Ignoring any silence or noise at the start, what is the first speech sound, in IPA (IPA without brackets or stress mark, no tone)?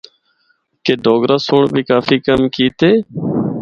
k